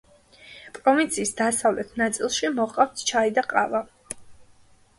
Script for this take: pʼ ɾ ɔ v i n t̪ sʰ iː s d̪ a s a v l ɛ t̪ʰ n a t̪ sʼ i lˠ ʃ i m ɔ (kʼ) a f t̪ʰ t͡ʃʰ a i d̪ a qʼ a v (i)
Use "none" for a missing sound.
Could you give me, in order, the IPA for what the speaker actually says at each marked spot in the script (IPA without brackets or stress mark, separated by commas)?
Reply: qʼ, a